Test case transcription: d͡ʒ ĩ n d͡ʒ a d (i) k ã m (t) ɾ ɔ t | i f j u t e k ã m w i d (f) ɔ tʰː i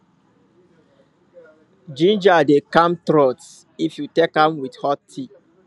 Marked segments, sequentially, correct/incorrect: incorrect: e, correct, incorrect: h

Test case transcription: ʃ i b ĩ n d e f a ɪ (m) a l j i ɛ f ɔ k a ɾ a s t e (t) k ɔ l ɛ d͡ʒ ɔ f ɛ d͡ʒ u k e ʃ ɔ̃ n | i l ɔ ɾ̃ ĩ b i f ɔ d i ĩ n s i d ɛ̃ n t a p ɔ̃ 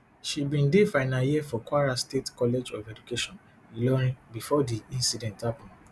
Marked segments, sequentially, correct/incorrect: incorrect: n, correct

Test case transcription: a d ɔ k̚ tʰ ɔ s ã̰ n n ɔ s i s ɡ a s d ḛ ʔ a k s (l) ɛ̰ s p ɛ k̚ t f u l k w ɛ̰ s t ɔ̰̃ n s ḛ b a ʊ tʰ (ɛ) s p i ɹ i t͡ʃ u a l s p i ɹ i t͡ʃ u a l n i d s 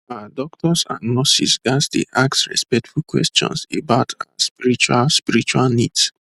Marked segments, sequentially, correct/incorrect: incorrect: ɹ, incorrect: a

